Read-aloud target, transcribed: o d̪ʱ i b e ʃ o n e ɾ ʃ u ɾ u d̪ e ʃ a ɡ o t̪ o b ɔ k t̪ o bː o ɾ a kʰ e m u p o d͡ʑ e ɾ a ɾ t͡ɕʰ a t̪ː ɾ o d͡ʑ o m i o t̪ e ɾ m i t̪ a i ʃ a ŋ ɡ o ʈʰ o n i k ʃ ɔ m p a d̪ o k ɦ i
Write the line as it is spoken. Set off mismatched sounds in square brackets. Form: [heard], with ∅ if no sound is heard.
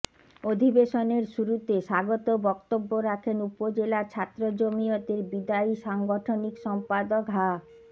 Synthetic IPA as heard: o d̪ʱ i b e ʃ o n e ɾ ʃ u ɾ u [t̪] e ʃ a ɡ o t̪ o b ɔ k t̪ o bː o ɾ a kʰ e [n] u p o d͡ʑ e [l] a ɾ t͡ɕʰ a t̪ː ɾ o d͡ʑ o m i o t̪ e ɾ [b] i [d̪] a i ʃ a ŋ ɡ o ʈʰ o n i k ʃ ɔ m p a d̪ o k ɦ [a]